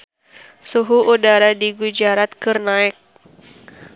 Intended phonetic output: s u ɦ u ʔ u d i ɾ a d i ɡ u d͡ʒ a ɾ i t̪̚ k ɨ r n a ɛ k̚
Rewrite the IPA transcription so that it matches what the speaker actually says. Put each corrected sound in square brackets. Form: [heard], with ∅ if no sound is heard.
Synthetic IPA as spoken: s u ɦ u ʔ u d [a] ɾ a d i ɡ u d͡ʒ a ɾ [a] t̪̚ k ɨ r n a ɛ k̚